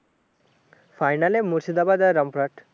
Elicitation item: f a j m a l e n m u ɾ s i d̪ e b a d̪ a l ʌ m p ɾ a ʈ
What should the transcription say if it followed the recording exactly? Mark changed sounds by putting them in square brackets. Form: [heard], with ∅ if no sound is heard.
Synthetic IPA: f a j [n] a l e [∅] m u ɾ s i d̪ [a] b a d̪ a [ɾ] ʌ m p ɾ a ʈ

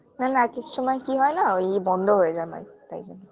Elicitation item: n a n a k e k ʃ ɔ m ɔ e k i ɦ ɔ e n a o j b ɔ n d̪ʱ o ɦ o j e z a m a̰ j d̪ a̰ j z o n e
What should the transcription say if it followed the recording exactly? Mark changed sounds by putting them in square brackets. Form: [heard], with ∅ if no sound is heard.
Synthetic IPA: n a n a k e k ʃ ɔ m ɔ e k i ɦ ɔ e n a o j b ɔ n d̪ʱ o ɦ o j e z a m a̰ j [t̪] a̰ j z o n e

